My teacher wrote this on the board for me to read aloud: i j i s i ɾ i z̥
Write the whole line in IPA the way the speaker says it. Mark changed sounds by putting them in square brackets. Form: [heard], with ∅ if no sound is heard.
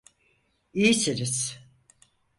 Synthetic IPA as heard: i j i s i ɾ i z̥